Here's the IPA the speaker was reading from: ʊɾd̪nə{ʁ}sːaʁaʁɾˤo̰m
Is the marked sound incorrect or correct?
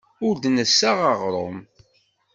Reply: incorrect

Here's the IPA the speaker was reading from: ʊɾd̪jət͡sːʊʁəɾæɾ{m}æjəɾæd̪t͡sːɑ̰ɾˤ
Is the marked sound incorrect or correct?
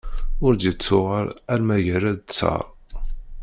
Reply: correct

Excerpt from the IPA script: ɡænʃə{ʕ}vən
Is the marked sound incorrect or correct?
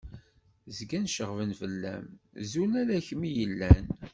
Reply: incorrect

